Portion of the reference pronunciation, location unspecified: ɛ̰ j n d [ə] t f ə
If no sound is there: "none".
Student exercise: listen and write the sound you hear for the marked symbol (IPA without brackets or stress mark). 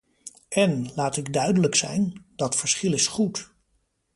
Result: ɑ